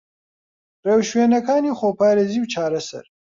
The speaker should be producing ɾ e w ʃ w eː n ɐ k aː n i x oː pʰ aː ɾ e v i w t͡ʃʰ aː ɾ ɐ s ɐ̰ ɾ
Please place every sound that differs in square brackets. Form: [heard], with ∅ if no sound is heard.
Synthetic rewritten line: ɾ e w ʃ w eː n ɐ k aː n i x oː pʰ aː ɾ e [z] i w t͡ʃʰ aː ɾ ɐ s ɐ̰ ɾ